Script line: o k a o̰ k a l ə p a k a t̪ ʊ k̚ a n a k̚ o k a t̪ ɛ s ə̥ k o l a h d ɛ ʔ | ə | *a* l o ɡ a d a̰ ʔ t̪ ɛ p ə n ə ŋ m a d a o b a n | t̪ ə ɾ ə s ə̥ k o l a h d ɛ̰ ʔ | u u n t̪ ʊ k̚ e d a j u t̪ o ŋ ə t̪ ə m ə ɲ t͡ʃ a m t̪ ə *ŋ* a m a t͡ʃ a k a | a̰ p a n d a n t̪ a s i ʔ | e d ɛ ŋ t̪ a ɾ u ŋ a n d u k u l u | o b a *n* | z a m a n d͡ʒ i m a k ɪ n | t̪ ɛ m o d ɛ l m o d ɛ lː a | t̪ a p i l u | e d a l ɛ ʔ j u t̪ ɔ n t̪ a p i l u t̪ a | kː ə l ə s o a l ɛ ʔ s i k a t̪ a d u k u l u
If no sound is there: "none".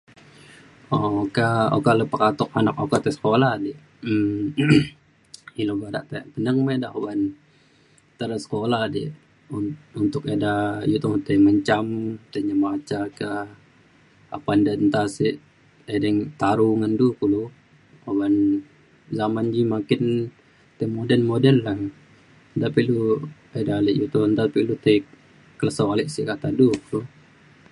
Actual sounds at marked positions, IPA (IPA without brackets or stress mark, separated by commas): i, ɲ, n